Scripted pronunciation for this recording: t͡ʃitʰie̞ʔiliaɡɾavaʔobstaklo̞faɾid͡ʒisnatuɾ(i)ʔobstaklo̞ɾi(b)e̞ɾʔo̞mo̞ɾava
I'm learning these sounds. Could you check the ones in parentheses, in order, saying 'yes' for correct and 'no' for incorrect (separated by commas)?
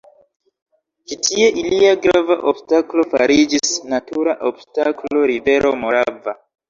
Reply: no, no